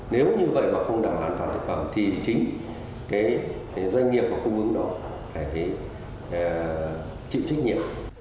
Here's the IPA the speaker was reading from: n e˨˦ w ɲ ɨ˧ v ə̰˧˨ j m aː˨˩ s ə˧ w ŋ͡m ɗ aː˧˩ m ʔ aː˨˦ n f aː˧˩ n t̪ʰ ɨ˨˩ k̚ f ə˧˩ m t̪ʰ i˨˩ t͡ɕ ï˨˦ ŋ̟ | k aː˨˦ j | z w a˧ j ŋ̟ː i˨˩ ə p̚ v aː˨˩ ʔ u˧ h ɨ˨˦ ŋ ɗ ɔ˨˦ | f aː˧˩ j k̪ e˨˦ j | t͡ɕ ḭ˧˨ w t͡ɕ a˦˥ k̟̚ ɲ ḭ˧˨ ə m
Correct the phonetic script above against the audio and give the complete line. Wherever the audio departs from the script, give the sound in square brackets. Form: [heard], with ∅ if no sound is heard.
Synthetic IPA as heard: n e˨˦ w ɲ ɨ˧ v ə̰˧˨ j m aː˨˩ [x] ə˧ w ŋ͡m ɗ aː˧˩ m ʔ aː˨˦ n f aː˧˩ n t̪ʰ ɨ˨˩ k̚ f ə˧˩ m t̪ʰ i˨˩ t͡ɕ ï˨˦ ŋ̟ | k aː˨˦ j | z w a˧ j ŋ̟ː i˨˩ ə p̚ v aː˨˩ [k] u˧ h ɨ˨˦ ŋ ɗ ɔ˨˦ | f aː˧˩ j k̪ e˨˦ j | t͡ɕ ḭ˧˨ w t͡ɕ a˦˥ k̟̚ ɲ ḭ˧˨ ə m